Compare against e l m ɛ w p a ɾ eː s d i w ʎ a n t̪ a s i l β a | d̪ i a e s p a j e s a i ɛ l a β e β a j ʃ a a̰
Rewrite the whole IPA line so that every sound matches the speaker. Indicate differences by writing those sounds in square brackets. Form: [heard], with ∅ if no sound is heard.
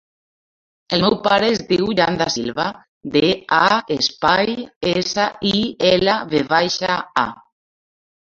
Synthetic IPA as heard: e l m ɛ w p a ɾ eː [z] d i w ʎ a n [d̪] a s i l β a | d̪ [e] a e s p a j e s a i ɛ l a β e β a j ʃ a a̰

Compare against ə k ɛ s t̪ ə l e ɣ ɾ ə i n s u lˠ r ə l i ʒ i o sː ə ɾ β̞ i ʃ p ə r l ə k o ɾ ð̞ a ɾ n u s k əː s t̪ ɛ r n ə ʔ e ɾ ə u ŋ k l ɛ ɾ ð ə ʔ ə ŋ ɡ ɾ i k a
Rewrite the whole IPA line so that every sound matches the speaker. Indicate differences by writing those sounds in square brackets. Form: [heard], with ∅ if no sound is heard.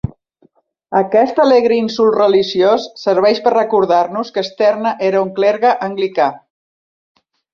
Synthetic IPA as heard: ə k ɛ s t̪ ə l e ɣ ɾ ə i n s u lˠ r ə l i ʒ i o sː ə ɾ β̞ [ɛ] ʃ p ə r [r] ə k [u] ɾ ð̞ a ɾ n u s k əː s t̪ ɛ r n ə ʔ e ɾ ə u ŋ k l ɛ ɾ [ɣ] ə ʔ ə ŋ ɡ [l] i k a

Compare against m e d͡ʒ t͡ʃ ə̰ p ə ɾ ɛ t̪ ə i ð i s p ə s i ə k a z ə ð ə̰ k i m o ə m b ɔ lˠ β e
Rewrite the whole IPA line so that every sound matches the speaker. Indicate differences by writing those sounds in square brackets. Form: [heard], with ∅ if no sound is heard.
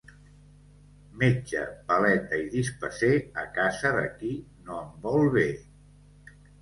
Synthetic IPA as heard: m e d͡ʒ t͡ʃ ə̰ p ə [l] ɛ t̪ ə i ð i s p ə s [e] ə k a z ə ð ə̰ k i [n] o ə m b ɔ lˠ β e

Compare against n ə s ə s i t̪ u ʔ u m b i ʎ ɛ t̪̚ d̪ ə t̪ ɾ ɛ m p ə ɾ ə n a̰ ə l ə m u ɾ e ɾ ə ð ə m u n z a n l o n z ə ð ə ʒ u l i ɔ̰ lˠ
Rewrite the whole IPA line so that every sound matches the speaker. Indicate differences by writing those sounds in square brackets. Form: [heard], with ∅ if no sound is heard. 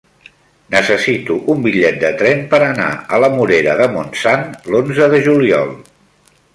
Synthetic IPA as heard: n ə s ə s i t̪ u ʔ u m b i ʎ ɛ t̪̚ d̪ ə t̪ ɾ ɛ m p ə ɾ ə n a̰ ə l ə m u ɾ e ɾ ə ð ə m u n [s] a n l o n z ə ð ə ʒ u l i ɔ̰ lˠ

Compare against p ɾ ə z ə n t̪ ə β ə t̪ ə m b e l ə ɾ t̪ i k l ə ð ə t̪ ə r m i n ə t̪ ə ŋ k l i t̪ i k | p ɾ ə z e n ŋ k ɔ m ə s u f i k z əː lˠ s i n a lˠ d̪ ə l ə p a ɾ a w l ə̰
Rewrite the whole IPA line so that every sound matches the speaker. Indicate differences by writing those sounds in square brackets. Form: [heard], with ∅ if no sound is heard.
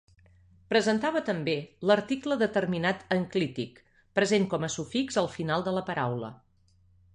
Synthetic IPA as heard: p ɾ ə z ə n t̪ [a] β ə t̪ ə m b e l ə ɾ t̪ i k l ə ð ə t̪ ə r m i n [a] t̪ ə ŋ k l i t̪ i k | p ɾ ə z e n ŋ k ɔ m ə s u f i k z [ə] lˠ [f] i n a lˠ d̪ ə l ə p [ə] ɾ a w l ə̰

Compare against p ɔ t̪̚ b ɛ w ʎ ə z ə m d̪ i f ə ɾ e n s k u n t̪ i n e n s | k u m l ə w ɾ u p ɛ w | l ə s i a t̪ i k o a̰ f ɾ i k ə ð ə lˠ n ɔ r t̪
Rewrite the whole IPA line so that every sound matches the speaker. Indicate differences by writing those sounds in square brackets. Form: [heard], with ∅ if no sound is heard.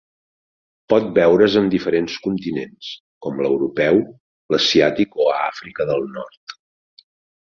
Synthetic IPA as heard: p ɔ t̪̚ b ɛ w [ɾ] ə z ə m d̪ i f ə ɾ e n s k u n t̪ i n e n s | k [ɔ] m l ə w ɾ u p ɛ w | l ə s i a t̪ i k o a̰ f ɾ i k ə ð ə lˠ n ɔ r t̪

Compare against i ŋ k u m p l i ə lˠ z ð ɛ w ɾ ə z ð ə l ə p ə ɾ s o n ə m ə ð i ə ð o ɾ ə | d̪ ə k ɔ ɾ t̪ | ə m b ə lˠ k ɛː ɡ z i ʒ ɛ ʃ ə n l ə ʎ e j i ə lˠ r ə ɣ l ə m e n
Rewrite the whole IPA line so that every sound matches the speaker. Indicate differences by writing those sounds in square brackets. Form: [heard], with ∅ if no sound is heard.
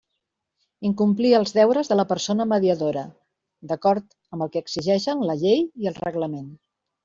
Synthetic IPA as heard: i ŋ k u m p l i ə lˠ z ð ɛ w ɾ ə z ð ə l ə p ə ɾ s o n ə m ə ð i ə ð o ɾ ə | d̪ ə k ɔ ɾ t̪ | ə m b ə lˠ k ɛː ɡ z i ʒ ɛ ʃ ə n l ə ʎ e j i ə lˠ r ə ɣ l ə m e n

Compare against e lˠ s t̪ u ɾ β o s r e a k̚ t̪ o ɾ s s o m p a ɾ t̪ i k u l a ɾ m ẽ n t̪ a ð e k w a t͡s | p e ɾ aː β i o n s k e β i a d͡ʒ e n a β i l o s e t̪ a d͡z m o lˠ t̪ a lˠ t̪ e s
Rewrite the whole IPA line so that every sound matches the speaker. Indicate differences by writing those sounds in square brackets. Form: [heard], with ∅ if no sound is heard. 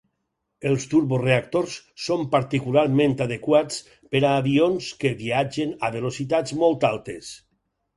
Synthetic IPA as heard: e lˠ s t̪ u ɾ β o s r e a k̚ t̪ o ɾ s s o m p a ɾ t̪ i k u l a ɾ m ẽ n t̪ a ð e k w a t͡s | p e ɾ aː β i o n s k e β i a d͡ʒ e n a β [e] l o s [i] t̪ a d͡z m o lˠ t̪ a lˠ t̪ e s

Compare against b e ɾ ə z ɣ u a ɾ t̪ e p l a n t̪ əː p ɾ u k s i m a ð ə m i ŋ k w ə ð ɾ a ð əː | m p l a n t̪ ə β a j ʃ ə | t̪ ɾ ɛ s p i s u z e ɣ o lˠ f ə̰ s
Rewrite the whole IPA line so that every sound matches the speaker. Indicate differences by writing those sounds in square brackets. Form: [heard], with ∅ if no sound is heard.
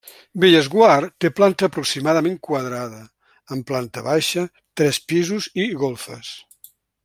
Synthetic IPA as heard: b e [ʎ] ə z ɣ [w] a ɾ t̪ e p l a n t̪ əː p ɾ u k s i m a ð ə m [e] ŋ k w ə ð ɾ a ð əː | m p l a n t̪ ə β a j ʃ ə | t̪ ɾ ɛ s p i [z] u z [i] ɣ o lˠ f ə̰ s

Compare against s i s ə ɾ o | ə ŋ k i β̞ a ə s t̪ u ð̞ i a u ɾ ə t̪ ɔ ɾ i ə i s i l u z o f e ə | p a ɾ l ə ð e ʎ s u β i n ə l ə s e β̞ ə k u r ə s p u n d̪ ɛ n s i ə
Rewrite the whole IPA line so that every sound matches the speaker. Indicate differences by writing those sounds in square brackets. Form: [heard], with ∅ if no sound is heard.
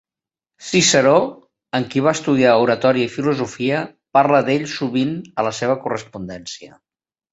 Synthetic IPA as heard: s i s ə ɾ o | ə ŋ k i β̞ a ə s t̪ u ð̞ i a u ɾ ə t̪ ɔ ɾ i ə i [f] i l u z [u] f [i] ə | p a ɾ l ə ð e ʎ s u β i n ə l ə s e β̞ ə k u r ə s p u n d̪ ɛ n s i ə

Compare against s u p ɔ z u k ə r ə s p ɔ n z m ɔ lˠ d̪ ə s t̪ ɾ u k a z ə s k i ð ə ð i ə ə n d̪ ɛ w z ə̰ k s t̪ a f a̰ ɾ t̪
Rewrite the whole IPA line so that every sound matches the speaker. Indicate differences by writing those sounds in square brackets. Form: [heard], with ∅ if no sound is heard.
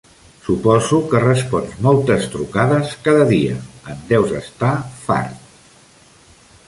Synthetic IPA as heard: s u p ɔ z u k ə r ə s p ɔ n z m ɔ lˠ [t̪] ə s t̪ ɾ u k a [ð] ə s k [a] ð ə ð i ə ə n d̪ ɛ w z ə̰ [∅] s t̪ a f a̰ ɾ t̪

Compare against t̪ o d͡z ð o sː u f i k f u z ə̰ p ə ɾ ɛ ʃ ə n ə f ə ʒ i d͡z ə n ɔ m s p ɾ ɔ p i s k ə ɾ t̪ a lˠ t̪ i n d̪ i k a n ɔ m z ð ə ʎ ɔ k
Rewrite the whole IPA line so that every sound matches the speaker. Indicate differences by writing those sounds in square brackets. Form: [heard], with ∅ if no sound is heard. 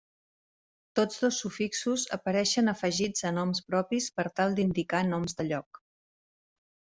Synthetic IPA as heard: t̪ o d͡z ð o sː u f i k [s] u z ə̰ p ə ɾ ɛ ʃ ə n ə f ə ʒ i d͡z ə n ɔ m s p ɾ ɔ p i s [p] ə ɾ t̪ a lˠ [d̪] i n d̪ i k a n ɔ m z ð ə ʎ ɔ k

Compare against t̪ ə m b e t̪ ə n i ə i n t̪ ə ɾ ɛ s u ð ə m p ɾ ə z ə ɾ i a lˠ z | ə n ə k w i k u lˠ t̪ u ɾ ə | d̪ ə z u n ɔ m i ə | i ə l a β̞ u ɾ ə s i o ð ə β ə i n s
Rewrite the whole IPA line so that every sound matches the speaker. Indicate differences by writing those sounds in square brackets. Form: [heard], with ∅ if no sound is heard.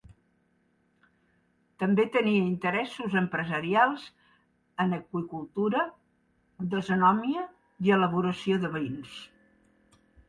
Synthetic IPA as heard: t̪ ə m b e t̪ ə n i ə i n t̪ ə ɾ ɛ s u [z] ə m p ɾ ə z ə ɾ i a lˠ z | ə n ə k w i k u lˠ t̪ u ɾ ə | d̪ ə z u n ɔ m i ə | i ə l [ə] β̞ u ɾ ə s i o ð ə β ə i n s

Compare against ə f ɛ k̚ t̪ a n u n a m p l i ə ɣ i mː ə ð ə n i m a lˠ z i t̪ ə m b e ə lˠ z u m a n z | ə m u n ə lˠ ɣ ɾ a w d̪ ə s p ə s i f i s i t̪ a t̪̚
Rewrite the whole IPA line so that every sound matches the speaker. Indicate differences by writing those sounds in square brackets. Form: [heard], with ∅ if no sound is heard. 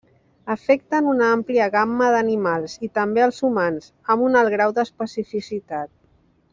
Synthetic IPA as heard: ə f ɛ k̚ t̪ [ə] n u n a m p l i ə ɣ [a] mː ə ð ə n i m a lˠ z i t̪ ə m b e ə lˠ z u m a n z | ə m u n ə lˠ ɣ ɾ a w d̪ ə s p ə s i f i s i t̪ a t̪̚

